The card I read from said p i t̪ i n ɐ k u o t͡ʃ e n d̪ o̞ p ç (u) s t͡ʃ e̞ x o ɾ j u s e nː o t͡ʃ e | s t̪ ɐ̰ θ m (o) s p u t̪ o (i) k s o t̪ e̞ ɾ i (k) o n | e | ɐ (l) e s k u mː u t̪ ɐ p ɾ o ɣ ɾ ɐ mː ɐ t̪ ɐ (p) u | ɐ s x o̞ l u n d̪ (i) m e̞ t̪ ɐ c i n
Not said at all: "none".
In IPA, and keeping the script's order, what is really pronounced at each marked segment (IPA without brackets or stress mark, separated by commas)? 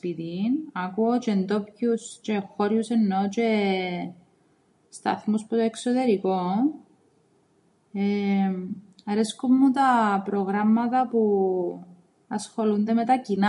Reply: u, u, e, k, ɾ, p, e